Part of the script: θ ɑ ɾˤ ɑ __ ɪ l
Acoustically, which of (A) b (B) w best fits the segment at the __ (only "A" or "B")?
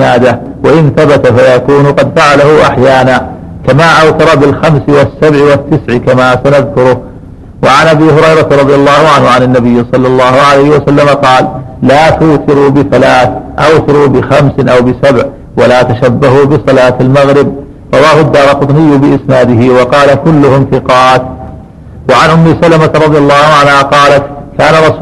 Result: A